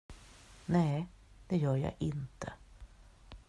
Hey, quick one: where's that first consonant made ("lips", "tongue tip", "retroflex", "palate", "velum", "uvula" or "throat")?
tongue tip